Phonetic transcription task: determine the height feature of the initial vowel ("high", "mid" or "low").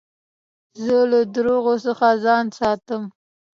mid